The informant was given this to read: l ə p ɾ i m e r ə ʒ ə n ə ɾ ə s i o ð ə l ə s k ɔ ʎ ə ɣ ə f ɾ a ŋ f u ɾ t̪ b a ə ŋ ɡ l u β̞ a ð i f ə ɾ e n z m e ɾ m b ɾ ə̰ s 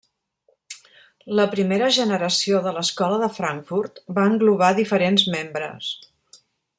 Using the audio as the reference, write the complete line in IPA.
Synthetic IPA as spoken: l ə p ɾ i m e ɾ ə ʒ ə n ə ɾ ə s i o ð ə l ə s k ɔ l ə ð ə f ɾ a ŋ f u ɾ t̪ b a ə ŋ ɡ l u β̞ a ð i f ə ɾ e n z m e m b ɾ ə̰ s